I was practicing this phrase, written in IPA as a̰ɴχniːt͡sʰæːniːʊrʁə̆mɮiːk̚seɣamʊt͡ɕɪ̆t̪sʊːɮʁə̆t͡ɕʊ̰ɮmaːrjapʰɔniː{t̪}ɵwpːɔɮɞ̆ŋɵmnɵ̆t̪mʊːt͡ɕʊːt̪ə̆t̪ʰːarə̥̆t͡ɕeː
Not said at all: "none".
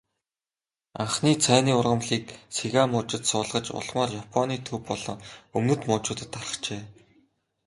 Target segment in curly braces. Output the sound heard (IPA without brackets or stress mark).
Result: t̪ʰ